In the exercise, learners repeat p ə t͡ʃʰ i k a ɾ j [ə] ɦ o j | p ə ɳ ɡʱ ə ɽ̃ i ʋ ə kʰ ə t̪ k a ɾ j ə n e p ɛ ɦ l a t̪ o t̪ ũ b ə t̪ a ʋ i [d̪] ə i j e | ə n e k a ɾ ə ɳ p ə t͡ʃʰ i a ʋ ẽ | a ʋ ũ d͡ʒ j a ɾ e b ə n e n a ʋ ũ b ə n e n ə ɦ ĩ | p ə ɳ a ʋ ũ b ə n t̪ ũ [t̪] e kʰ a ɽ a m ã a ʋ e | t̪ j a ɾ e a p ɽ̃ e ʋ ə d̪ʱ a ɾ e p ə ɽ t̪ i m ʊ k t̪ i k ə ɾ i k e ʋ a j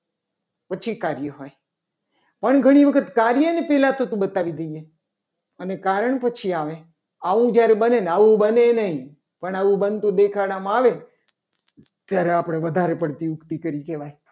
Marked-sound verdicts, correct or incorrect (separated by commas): correct, correct, incorrect